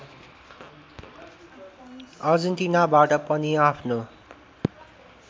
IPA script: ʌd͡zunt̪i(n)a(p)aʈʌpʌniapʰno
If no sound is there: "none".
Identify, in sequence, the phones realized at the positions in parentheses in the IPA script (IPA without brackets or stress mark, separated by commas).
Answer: n, b